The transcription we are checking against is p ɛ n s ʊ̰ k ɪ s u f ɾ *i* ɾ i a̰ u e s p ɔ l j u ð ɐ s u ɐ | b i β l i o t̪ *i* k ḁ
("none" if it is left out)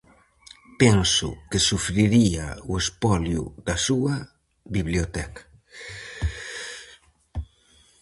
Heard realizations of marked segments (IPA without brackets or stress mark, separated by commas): i, ɛ